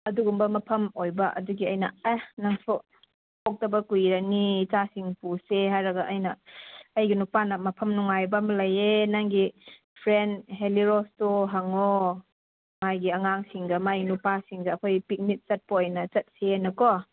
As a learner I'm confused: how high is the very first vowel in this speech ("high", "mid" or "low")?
low